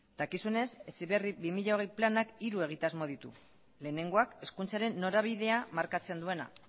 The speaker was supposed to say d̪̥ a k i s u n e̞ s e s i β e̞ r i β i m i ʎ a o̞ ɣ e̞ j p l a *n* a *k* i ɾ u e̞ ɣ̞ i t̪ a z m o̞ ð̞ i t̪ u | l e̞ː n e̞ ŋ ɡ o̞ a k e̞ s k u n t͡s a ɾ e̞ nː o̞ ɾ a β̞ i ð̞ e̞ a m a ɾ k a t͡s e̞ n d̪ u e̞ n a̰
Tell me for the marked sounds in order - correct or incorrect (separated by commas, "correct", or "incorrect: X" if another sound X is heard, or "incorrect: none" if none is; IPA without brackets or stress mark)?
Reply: correct, correct